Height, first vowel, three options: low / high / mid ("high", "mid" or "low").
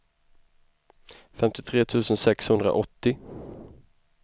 mid